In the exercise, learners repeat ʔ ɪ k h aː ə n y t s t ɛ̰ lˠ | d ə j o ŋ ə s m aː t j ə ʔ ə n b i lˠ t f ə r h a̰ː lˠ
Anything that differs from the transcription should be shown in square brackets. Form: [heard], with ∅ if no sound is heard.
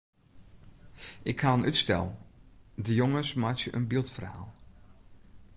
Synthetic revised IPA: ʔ ɪ k h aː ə n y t s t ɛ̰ lˠ | d ə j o ŋ ə s m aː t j ə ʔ ə n b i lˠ t f ə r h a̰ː lˠ